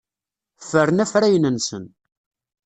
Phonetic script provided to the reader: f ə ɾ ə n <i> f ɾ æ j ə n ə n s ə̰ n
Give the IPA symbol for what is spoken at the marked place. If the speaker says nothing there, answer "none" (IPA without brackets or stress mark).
æ